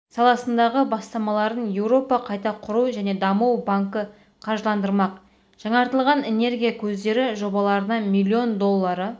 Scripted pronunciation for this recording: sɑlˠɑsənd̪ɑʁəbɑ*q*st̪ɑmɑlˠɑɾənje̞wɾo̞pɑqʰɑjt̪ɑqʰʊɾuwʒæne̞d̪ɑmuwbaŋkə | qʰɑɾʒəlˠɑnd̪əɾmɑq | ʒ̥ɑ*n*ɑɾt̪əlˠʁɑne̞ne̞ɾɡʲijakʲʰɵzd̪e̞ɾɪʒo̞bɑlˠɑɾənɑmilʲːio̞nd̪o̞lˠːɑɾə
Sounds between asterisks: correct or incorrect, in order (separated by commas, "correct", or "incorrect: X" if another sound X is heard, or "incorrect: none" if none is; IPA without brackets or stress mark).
incorrect: none, incorrect: ɴ